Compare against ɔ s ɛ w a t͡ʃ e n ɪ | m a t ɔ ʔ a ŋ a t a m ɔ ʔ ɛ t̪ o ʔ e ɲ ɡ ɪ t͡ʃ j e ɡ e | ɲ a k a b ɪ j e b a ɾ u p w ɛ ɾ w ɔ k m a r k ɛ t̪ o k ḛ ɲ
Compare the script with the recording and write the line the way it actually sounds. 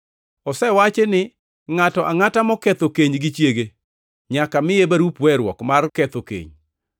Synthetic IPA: ɔ s ɛ w a t͡ʃ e n ɪ | ŋ a t ɔ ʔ a ŋ a t a m ɔ k ɛ t̪ o k e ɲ ɡ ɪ t͡ʃ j e ɡ e | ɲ a k a m ɪ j e b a ɾ u p w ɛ ɾ w ɔ k m a r k ɛ t̪ o k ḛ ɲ